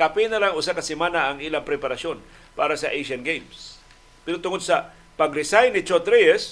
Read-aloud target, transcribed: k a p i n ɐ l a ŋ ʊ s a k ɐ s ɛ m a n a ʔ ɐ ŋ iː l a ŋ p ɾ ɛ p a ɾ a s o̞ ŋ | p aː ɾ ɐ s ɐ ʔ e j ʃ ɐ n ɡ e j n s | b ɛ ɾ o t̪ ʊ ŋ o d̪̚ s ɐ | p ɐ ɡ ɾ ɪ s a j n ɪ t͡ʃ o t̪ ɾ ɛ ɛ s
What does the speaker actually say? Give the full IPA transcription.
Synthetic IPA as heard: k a p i n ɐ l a ŋ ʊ s a k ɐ s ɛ m a n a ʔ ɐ ŋ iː l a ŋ p ɾ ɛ p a ɾ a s o̞ n | p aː ɾ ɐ s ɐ ʔ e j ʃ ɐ n ɡ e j m s | p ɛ ɾ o t̪ ʊ ŋ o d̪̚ s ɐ | p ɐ ɡ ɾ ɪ s a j n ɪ t͡ʃ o t̪ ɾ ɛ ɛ s